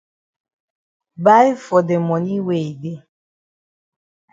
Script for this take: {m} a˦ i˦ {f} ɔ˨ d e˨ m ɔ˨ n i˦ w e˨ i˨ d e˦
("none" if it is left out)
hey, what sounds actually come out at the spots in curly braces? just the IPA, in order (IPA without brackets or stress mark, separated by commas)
b, f